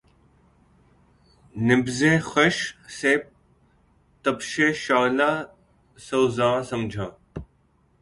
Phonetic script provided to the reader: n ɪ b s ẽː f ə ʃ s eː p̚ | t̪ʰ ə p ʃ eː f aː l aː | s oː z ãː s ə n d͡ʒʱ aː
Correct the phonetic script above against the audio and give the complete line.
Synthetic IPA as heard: n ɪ b z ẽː x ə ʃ s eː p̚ | t̪ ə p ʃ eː ʃ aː l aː | s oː z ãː s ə m d͡ʒʱ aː